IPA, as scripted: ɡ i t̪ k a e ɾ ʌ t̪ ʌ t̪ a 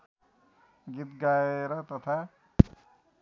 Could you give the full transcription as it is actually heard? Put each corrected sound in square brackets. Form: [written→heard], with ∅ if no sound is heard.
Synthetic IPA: ɡ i t̪ [k→ɡ] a e ɾ ʌ t̪ ʌ [t̪→t̪ʰ] a

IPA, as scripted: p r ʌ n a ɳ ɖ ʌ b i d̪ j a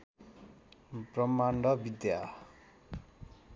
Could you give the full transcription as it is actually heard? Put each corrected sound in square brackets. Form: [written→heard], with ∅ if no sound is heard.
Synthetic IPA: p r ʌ [n→m] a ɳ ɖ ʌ b i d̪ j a

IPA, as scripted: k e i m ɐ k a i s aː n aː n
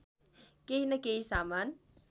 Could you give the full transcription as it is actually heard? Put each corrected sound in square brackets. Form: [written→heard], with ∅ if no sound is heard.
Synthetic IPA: k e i [m→n] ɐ k [a→e] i s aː [n→m] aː n

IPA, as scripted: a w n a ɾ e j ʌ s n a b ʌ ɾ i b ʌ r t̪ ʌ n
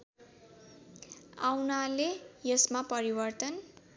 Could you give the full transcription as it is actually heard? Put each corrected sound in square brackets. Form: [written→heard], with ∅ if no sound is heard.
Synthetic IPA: a w n a [ɾ→l] e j ʌ s [n→m] a [b→p] ʌ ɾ i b ʌ r t̪ ʌ n

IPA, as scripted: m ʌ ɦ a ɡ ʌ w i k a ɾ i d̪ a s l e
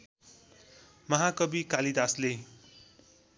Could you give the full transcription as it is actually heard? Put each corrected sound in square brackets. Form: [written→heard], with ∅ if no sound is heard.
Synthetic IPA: m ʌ ɦ a [ɡ→k] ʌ [w→b] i k a [ɾ→l] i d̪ a s l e

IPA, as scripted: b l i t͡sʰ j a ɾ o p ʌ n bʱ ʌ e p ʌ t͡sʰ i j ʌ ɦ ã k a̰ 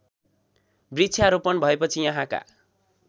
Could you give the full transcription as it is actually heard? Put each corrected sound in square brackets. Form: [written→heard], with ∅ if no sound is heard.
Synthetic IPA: b [l→r] i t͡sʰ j a ɾ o p ʌ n bʱ ʌ e p ʌ t͡sʰ i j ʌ ɦ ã k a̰

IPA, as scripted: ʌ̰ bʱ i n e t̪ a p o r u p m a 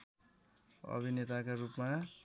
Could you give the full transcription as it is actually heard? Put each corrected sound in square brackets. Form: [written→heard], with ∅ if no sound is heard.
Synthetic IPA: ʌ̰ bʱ i n e t̪ a [p→k] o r u p m a

